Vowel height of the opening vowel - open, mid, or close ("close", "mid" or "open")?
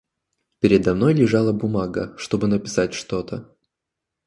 close